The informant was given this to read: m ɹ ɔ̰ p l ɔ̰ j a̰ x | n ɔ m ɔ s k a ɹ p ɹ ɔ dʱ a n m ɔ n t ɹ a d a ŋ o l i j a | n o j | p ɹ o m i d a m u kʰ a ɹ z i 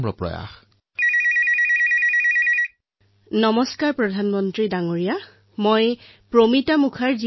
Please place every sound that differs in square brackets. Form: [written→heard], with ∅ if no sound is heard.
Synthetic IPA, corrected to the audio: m ɹ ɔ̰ p [l→ɹ] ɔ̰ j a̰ x | n ɔ m ɔ s k a ɹ p ɹ ɔ dʱ a n m ɔ n t ɹ [a→i] d a ŋ o [l→ɹ] i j a | [n→m] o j | p ɹ o m i [d→t] a m u kʰ a ɹ z i

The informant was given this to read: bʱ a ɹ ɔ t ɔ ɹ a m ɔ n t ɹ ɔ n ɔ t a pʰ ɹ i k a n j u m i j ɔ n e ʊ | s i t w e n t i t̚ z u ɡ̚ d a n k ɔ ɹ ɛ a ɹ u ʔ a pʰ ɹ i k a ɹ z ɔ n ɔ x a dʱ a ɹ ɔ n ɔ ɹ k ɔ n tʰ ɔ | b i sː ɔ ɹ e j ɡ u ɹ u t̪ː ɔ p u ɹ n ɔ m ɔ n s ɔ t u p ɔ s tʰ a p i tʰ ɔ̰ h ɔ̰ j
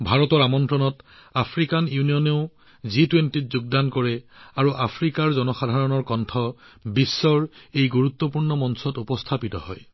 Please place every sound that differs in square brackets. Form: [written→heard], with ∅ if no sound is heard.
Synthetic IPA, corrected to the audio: bʱ a ɹ ɔ t ɔ ɹ a m ɔ n t ɹ ɔ n ɔ t a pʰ ɹ i k a n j u [m→n] i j ɔ n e ʊ | [s→z] i t w e n t i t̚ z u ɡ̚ d a n k ɔ ɹ ɛ a ɹ u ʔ a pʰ ɹ i k a ɹ z ɔ n ɔ x a dʱ a ɹ ɔ n ɔ ɹ k ɔ n tʰ ɔ | b i sː ɔ ɹ e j ɡ u ɹ u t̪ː ɔ p u ɹ n ɔ m ɔ n s ɔ t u p ɔ s tʰ a p i [tʰ→t] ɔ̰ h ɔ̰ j

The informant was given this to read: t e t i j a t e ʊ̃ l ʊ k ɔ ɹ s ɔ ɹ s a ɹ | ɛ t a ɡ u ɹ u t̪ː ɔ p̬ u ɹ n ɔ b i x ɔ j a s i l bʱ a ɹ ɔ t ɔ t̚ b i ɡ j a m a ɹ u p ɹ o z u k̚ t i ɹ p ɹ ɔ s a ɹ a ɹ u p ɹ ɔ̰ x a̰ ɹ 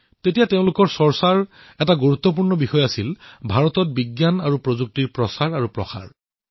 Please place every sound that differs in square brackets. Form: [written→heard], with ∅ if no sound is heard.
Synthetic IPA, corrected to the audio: t e t i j a t e ʊ̃ l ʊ k ɔ ɹ s ɔ ɹ s a ɹ | ɛ t a ɡ u ɹ u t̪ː ɔ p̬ u ɹ n ɔ b i x ɔ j a s i l bʱ a ɹ ɔ t ɔ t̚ b i ɡ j a [m→n] a ɹ u p ɹ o z u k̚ t i ɹ p ɹ ɔ s a ɹ a ɹ u p ɹ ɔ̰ x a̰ ɹ

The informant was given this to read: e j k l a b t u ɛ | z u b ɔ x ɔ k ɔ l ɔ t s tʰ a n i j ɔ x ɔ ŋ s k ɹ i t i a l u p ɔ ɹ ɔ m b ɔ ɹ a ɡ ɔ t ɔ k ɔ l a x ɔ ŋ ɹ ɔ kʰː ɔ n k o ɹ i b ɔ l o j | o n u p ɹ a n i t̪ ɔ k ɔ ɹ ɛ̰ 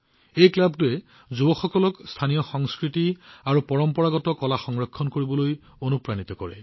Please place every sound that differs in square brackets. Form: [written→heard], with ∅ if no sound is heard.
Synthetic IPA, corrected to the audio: e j k l a b t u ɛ | z u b ɔ x ɔ k ɔ l ɔ [t→k] s tʰ a n i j ɔ x ɔ ŋ s k ɹ i t i a [l→ɹ] u p ɔ ɹ ɔ m [b→p] ɔ ɹ a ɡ ɔ t ɔ k ɔ l a x ɔ ŋ ɹ ɔ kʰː ɔ n k o ɹ i b ɔ l o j | o n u p ɹ a n i t̪ ɔ k ɔ ɹ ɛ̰

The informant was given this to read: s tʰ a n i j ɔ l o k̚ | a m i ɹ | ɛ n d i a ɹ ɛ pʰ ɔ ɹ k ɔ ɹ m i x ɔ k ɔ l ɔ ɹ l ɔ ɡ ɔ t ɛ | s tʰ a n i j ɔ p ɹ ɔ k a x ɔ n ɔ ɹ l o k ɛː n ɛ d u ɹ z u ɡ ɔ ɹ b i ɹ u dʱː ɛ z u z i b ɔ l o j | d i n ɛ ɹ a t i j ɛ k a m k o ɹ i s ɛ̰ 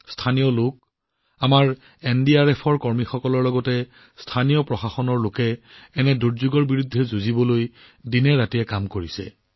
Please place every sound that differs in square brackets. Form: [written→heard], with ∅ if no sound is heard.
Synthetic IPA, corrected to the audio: s tʰ a n i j ɔ l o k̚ | a m [i→a] ɹ | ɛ n d i a ɹ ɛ pʰ ɔ ɹ k ɔ ɹ m i x ɔ k ɔ l ɔ ɹ l ɔ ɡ ɔ t ɛ | s tʰ a n i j ɔ p ɹ ɔ [k→x] a x ɔ n ɔ ɹ l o k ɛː n ɛ d u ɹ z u ɡ ɔ ɹ b i ɹ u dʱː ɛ z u z i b ɔ l o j | d i n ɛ ɹ a t i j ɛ k a m k o ɹ i s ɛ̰

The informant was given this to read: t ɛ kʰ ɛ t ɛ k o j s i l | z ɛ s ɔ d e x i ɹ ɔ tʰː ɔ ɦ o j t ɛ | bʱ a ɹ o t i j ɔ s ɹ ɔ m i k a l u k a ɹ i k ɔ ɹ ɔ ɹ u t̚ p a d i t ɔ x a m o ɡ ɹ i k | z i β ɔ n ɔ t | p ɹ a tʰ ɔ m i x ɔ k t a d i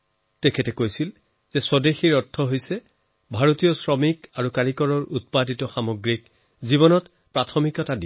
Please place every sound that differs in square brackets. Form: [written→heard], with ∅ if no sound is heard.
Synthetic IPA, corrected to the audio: t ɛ kʰ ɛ t ɛ k o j s i l | z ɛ s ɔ d e x i ɹ ɔ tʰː ɔ ɦ o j [t→s] ɛ | bʱ a ɹ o t i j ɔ s ɹ ɔ m i k a [l→ɹ] u k a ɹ i k ɔ ɹ ɔ ɹ u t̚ p a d i t ɔ x a m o ɡ ɹ i k | z i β ɔ n ɔ t | p ɹ a tʰ ɔ m i [x→k] ɔ [k→∅] t a d i

